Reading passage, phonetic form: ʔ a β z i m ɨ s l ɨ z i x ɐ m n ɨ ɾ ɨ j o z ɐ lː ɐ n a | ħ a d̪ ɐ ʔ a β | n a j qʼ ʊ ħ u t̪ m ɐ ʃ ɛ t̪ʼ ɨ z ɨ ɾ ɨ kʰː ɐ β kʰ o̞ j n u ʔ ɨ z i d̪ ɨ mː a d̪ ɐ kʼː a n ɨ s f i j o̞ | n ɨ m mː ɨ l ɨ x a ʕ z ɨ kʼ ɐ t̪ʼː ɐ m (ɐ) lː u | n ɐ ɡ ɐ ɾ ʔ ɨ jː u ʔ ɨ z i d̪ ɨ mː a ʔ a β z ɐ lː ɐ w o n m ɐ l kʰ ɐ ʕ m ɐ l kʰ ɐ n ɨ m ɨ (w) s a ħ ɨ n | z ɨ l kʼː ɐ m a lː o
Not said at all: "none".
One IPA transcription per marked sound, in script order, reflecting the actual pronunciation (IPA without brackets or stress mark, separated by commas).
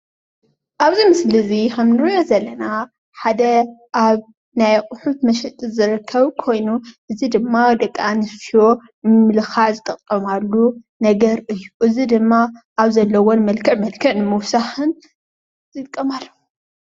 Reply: a, w